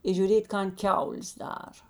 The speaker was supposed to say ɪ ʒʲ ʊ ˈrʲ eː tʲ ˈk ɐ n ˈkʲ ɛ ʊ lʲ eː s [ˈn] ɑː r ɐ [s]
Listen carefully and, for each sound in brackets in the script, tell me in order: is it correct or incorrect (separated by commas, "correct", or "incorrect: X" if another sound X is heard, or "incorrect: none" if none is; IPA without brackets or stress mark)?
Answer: incorrect: d, incorrect: none